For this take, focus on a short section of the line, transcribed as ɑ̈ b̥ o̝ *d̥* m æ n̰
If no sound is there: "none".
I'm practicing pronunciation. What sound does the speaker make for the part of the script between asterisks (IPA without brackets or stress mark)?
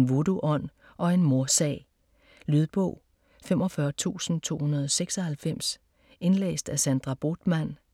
d̥